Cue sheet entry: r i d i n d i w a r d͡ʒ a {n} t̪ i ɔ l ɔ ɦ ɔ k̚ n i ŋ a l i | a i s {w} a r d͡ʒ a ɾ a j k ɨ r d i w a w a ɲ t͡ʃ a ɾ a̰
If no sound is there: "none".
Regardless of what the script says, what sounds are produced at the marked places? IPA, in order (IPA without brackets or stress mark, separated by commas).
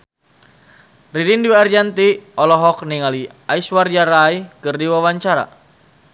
n, w